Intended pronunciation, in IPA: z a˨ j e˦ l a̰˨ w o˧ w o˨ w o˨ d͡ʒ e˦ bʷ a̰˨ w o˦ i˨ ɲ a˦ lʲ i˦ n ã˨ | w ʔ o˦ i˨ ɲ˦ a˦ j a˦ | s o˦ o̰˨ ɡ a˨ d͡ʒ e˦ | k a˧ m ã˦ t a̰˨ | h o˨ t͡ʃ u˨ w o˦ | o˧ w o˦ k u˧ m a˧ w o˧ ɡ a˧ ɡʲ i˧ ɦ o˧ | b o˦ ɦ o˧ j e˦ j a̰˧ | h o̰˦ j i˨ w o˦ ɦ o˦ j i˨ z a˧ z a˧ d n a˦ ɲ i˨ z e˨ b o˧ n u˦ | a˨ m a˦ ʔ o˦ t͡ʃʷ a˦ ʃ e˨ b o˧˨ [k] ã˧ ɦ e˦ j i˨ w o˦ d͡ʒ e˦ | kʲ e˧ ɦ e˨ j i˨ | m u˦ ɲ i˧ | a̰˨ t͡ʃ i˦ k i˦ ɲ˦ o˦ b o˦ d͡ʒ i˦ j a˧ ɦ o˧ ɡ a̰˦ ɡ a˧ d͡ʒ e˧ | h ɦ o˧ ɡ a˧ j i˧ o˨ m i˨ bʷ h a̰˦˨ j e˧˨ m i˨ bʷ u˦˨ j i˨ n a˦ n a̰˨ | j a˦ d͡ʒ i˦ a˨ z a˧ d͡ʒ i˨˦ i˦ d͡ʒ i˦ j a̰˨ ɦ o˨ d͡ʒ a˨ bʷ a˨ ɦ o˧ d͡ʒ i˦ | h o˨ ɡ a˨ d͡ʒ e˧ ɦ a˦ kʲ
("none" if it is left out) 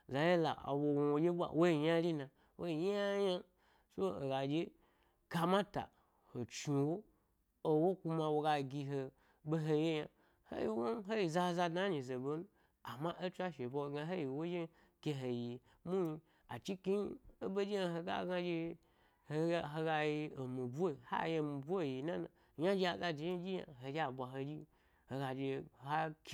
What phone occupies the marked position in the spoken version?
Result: ɡ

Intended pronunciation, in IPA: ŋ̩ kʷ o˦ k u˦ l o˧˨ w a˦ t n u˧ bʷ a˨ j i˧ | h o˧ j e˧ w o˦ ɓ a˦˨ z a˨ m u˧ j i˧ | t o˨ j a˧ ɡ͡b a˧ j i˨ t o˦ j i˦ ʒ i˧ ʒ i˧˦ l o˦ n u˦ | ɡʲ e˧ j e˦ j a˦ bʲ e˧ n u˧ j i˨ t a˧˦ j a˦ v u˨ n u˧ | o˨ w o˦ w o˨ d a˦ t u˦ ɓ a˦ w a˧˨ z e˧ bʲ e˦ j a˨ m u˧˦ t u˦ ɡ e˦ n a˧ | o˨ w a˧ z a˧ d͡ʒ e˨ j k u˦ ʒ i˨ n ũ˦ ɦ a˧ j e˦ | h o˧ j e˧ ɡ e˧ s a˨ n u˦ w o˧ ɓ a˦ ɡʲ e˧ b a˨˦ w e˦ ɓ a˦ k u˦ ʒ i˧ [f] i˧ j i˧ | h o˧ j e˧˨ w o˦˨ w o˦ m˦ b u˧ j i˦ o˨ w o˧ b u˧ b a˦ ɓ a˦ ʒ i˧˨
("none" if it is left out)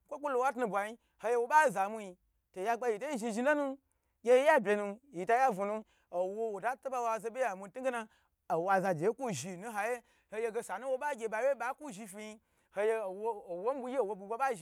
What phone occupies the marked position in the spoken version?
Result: f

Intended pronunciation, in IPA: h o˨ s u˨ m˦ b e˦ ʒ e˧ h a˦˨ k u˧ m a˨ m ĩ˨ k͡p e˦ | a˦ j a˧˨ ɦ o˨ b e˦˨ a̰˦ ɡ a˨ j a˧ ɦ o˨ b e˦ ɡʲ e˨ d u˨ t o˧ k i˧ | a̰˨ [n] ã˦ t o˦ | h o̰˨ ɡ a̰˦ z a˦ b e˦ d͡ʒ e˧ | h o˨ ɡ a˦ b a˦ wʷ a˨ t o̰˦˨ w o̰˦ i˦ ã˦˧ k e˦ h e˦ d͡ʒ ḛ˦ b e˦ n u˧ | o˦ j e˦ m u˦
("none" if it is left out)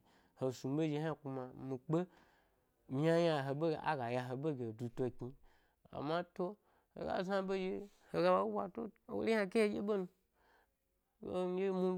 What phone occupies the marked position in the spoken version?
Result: m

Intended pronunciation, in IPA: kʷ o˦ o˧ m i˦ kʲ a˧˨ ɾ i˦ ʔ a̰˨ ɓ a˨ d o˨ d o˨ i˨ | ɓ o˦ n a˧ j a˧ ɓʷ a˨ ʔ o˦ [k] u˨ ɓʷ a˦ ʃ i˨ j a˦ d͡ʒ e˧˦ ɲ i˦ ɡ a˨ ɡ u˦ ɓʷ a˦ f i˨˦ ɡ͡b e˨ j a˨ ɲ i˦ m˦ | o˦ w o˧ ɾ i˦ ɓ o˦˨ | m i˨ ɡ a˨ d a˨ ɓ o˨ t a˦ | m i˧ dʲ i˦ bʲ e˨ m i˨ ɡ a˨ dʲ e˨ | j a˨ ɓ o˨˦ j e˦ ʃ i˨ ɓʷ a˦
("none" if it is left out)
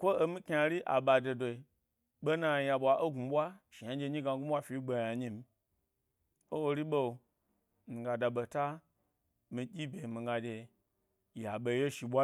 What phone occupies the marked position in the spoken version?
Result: ɡ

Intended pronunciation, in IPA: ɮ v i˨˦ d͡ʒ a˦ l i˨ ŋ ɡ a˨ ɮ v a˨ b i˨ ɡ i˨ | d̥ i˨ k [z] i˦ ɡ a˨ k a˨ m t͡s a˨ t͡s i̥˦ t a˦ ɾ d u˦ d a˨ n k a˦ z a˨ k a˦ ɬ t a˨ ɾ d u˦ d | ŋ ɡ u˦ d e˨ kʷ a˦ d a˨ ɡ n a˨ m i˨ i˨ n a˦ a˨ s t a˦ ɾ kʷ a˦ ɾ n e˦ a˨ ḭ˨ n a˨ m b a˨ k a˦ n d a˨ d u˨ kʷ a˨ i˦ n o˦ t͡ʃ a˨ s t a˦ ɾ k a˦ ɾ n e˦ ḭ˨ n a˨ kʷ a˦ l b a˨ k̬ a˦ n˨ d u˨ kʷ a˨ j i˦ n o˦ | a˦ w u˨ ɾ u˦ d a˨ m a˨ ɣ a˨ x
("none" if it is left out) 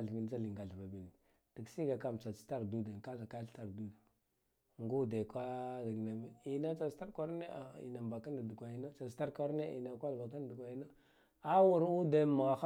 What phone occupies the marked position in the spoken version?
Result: s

